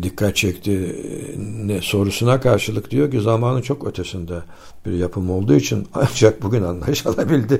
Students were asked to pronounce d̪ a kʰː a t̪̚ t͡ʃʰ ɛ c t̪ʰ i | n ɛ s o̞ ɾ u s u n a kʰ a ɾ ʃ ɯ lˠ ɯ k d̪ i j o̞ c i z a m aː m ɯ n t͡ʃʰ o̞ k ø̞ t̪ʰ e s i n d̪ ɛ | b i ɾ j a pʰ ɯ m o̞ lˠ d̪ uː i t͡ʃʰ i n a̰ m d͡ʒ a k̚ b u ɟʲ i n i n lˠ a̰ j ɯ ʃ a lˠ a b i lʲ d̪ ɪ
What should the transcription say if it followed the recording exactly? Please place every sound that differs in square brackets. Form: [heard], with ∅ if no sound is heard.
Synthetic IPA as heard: d̪ [i] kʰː a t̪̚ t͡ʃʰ ɛ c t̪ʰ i | n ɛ s o̞ ɾ u s u n a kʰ a ɾ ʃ ɯ lˠ ɯ k d̪ i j o̞ c i z a m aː [n] ɯ n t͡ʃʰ o̞ k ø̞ t̪ʰ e s i n d̪ ɛ | b i ɾ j a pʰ ɯ m o̞ lˠ d̪ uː i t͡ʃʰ i n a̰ [n] d͡ʒ a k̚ b u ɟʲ [y] n [a] n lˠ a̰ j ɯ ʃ a lˠ a b i lʲ d̪ ɪ